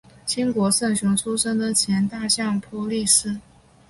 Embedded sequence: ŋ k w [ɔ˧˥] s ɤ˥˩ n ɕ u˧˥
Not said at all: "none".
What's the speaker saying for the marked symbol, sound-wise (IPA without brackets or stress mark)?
ɔ˧˥